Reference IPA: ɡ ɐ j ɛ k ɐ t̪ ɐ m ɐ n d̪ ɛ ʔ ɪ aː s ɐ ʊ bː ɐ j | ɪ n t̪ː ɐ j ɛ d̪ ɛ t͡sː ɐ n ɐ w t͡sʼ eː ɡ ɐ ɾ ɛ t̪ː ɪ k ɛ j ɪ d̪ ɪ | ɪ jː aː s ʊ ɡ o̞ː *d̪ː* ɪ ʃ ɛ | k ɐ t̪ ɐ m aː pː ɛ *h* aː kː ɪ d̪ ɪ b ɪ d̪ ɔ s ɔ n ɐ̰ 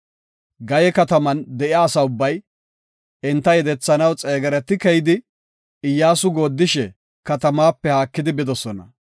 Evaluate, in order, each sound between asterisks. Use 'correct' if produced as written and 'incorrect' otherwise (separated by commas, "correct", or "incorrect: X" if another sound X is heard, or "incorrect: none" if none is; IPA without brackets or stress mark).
correct, correct